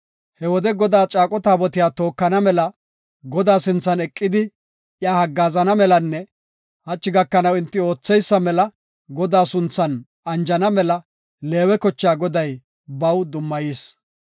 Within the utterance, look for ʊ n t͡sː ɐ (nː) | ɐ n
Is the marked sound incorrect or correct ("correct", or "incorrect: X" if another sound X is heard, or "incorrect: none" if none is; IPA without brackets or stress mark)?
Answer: incorrect: n